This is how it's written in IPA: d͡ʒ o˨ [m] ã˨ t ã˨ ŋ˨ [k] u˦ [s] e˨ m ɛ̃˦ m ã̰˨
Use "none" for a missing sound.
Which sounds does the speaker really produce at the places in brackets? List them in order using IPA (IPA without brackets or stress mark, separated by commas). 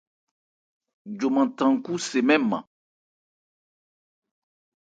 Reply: m, k, s